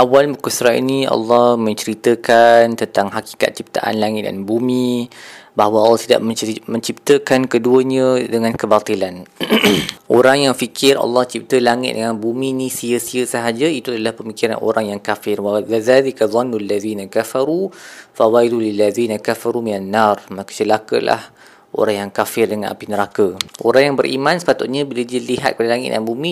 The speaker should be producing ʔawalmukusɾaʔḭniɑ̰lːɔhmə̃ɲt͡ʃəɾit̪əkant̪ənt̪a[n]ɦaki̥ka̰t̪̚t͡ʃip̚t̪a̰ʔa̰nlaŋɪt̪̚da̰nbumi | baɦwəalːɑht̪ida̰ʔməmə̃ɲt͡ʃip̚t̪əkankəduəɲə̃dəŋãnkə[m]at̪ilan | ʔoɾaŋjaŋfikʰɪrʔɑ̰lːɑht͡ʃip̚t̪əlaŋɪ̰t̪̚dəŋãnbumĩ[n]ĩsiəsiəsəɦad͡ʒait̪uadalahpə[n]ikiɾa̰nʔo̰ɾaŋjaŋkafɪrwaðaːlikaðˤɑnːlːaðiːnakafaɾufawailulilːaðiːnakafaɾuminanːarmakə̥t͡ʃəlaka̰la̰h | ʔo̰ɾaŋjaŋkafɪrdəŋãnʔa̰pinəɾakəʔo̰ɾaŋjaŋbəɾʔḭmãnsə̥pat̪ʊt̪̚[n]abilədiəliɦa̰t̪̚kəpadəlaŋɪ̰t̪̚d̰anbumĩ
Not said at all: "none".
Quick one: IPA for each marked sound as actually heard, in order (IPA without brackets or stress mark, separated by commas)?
ŋ, b, n, m, ɲ